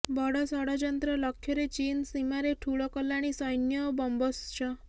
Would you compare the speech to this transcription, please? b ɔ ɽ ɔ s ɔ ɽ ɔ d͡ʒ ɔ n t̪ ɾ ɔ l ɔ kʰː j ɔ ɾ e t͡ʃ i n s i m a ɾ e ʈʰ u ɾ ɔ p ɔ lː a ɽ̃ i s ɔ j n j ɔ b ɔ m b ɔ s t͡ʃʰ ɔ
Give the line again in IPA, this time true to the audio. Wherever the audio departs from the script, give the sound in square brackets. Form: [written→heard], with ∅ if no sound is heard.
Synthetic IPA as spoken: b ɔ ɽ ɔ s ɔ ɽ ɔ d͡ʒ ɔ n t̪ ɾ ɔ l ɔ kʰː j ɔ ɾ e t͡ʃ i n s i m a ɾ e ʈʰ u [ɾ→ɭ] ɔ [p→k] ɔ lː a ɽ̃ i s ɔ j n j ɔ b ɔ m b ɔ s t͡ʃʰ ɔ